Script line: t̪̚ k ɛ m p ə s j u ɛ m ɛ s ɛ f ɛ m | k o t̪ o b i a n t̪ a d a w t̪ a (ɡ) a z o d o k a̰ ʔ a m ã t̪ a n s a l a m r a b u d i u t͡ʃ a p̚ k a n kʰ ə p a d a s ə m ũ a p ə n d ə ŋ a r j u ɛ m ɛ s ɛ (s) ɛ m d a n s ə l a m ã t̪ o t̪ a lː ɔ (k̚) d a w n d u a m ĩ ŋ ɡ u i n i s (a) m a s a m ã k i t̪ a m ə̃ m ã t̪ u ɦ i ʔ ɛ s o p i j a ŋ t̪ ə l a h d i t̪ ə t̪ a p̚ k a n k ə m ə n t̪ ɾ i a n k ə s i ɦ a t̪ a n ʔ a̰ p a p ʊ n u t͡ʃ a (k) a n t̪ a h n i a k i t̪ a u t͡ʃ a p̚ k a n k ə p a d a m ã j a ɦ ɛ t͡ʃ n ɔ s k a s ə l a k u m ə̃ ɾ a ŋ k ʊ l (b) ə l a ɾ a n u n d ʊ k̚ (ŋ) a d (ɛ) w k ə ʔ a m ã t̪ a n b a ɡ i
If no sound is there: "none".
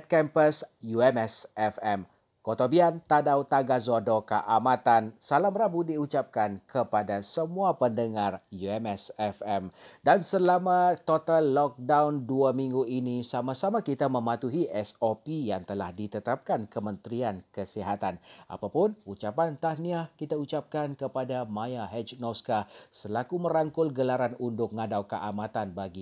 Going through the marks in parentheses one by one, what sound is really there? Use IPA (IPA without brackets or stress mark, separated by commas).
ɡ, f, k̚, a, p, ɡ, ŋ, a